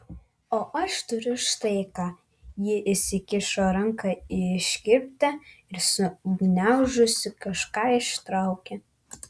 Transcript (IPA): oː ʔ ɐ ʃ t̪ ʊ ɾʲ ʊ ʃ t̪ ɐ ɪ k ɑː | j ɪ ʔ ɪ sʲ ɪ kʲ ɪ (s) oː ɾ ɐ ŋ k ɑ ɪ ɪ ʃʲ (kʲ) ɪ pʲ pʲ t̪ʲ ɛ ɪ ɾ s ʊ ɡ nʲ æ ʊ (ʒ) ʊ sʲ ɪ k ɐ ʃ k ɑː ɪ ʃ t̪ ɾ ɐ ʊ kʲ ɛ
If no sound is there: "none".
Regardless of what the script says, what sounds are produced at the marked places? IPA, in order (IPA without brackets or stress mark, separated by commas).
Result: ʃ, kʲ, ʒ